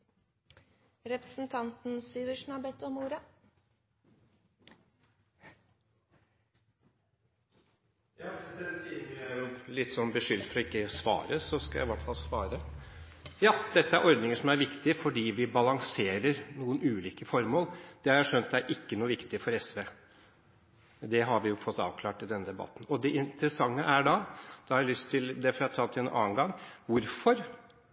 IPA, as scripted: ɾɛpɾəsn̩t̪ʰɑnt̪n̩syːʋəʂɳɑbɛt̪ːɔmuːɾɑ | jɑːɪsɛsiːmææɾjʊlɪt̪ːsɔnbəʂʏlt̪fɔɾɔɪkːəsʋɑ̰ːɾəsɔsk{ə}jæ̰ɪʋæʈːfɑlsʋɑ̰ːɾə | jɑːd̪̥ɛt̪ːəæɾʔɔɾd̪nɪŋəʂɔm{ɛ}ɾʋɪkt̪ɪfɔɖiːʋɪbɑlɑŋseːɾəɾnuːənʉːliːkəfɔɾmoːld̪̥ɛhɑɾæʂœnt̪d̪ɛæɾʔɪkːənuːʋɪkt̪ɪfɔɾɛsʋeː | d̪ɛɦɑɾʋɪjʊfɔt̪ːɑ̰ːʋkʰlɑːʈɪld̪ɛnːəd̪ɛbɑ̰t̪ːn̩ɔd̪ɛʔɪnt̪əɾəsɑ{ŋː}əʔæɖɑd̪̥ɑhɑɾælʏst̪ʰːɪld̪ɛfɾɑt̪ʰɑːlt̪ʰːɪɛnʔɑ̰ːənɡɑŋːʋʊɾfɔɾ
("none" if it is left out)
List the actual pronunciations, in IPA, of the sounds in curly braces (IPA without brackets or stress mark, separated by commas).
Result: ɑ, æ, ŋː